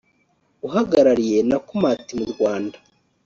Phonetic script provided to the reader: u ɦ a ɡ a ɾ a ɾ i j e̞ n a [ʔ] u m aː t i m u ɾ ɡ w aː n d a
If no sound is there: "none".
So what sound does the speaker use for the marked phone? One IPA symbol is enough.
k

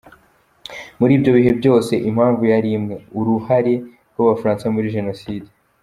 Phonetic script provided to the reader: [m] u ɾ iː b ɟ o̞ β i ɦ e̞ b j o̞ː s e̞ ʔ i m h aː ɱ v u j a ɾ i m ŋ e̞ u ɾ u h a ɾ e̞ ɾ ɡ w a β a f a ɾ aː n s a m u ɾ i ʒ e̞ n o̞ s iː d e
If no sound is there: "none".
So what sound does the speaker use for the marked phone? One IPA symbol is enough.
m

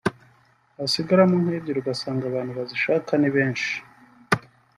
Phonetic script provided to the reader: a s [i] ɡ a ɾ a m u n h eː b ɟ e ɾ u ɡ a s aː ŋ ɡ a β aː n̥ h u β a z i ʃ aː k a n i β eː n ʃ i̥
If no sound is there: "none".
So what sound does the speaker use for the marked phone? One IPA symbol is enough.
i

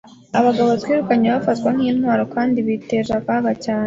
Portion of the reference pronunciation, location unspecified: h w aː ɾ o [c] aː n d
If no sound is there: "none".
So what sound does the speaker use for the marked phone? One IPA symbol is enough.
k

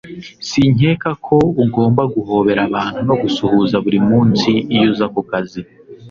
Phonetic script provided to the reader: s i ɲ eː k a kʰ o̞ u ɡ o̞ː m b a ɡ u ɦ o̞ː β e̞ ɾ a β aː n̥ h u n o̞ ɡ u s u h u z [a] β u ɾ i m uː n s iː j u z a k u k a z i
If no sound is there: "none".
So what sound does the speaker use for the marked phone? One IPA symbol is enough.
a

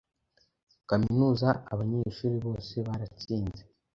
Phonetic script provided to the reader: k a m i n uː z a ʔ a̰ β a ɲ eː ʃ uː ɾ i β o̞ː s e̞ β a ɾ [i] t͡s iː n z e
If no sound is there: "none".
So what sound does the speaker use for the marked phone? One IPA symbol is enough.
a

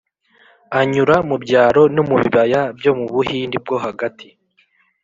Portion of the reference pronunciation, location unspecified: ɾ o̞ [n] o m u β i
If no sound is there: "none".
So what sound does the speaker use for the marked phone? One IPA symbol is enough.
n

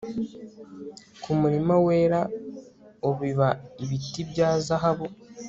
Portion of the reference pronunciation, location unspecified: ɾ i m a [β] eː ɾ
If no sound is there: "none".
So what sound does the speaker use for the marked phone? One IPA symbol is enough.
w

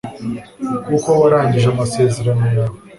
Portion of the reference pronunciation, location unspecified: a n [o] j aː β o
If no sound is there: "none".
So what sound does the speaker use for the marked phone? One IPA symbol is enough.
o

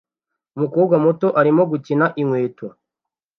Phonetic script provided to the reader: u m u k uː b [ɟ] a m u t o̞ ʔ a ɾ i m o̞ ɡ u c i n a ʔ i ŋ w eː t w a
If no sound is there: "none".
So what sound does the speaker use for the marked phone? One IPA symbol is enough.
ɡ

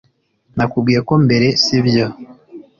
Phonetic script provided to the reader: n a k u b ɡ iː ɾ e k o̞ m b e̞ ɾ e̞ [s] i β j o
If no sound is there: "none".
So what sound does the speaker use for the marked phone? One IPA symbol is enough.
s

